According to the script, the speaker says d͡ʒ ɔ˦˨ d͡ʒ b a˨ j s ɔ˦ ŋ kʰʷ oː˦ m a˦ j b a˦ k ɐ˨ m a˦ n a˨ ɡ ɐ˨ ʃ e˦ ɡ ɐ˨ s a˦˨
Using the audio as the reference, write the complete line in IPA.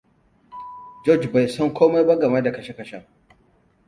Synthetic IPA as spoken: d͡ʒ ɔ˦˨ d͡ʒ b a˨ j s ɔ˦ ŋ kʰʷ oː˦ m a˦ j b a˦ ɡ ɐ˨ m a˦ d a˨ k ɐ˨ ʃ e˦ k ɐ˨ ʃ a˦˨